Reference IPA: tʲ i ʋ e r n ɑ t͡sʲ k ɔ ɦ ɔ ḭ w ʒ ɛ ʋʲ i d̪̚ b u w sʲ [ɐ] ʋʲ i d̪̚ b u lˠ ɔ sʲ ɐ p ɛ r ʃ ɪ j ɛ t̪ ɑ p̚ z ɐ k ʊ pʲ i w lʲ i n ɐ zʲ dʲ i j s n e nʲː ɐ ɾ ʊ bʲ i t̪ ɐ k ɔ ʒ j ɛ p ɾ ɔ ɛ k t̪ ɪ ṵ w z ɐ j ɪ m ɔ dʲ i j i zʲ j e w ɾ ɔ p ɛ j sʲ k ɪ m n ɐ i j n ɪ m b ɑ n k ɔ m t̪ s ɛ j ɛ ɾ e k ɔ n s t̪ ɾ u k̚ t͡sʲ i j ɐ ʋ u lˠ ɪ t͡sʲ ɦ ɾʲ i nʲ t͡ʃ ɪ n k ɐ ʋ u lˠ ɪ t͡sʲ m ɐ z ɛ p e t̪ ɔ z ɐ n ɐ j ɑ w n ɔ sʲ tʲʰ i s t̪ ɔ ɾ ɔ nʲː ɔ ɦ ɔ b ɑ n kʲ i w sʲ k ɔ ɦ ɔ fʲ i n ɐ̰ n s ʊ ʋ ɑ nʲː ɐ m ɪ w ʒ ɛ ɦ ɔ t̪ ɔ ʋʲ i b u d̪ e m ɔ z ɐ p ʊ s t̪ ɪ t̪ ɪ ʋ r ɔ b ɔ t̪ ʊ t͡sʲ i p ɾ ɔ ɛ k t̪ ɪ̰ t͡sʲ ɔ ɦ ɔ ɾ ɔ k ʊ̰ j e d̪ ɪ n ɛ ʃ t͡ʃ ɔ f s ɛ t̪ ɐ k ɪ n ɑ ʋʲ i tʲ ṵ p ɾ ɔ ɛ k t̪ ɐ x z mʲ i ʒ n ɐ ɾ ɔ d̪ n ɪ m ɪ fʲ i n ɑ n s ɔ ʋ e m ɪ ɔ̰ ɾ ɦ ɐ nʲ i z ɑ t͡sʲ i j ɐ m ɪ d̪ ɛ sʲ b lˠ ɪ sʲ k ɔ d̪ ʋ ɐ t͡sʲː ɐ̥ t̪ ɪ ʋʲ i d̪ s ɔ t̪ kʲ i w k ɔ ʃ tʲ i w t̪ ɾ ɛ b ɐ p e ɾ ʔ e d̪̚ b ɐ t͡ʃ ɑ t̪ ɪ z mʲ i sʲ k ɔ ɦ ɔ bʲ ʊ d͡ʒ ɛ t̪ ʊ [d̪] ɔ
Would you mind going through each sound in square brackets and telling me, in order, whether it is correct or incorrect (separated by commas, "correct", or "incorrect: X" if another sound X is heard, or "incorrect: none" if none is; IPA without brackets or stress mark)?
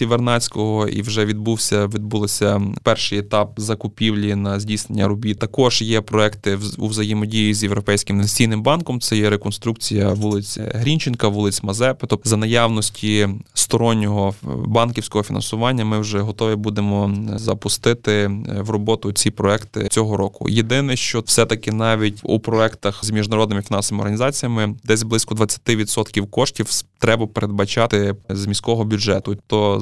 correct, incorrect: t̪